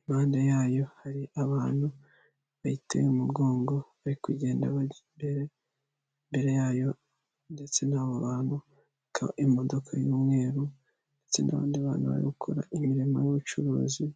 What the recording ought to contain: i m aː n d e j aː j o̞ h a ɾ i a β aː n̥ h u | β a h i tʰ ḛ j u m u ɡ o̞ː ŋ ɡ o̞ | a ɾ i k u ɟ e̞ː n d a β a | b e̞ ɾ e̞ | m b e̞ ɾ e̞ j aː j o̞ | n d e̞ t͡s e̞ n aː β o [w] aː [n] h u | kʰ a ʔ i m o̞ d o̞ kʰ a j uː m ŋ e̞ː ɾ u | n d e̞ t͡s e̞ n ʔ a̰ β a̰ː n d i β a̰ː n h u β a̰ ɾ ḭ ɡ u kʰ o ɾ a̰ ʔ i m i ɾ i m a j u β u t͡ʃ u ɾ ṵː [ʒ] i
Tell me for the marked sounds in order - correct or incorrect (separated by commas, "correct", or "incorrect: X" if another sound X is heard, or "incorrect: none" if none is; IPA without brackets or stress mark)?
incorrect: β, correct, incorrect: z